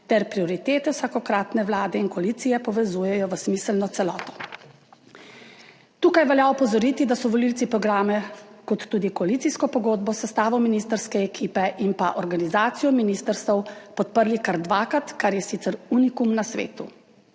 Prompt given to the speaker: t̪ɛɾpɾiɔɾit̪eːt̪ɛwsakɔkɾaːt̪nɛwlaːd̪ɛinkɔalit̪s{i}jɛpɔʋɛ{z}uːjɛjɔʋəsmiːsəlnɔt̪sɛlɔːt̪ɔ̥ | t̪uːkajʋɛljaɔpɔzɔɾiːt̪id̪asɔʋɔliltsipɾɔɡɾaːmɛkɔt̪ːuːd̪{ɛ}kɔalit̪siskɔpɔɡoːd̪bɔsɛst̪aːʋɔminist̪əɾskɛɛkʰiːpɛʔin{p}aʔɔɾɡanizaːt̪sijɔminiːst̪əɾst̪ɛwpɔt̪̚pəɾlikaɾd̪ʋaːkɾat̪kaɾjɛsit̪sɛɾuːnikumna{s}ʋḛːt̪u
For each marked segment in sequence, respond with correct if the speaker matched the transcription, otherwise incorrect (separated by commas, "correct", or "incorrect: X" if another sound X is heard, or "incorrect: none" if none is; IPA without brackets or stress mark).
correct, correct, incorrect: i, correct, correct